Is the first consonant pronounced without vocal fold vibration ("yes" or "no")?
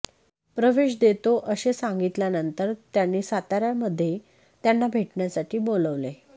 yes